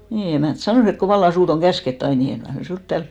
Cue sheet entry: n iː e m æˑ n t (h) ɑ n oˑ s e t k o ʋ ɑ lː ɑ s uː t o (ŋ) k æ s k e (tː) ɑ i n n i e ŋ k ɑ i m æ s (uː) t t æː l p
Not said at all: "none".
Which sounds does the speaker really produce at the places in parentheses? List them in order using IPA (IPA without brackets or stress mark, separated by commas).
s, ŋ, tː, uː